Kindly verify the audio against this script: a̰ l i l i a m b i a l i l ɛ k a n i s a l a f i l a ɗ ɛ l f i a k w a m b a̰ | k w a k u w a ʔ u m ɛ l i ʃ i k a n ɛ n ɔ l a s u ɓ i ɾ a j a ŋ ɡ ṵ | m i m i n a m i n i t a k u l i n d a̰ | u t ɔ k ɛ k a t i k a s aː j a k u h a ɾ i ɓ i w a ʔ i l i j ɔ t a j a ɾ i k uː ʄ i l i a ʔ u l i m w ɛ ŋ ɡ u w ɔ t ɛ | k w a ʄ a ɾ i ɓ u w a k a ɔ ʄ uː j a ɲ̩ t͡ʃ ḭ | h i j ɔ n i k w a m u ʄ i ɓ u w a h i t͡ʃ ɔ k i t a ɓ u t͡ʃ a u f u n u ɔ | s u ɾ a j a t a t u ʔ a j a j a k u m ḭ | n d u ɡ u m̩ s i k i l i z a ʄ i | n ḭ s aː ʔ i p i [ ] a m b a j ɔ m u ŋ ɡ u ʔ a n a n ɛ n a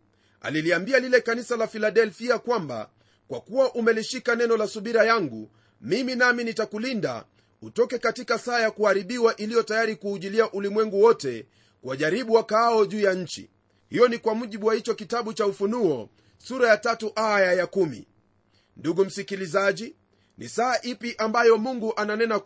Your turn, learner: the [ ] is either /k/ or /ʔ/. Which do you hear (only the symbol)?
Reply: ʔ